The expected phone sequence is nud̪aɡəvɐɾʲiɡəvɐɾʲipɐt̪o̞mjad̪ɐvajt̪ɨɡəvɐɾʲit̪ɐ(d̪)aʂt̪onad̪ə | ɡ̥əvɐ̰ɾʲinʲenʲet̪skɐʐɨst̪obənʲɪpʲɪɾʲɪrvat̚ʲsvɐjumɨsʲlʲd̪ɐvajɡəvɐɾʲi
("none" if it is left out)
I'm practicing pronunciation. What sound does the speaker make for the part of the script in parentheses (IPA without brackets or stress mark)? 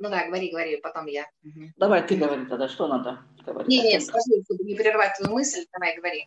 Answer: d̪